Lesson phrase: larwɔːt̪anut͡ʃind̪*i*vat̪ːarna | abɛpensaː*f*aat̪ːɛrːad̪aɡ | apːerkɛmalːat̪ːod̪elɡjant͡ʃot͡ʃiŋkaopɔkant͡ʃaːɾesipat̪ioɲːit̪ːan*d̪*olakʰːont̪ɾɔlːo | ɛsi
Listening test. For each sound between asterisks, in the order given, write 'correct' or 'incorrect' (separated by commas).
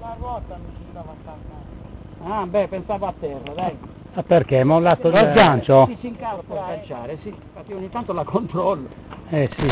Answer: incorrect, incorrect, incorrect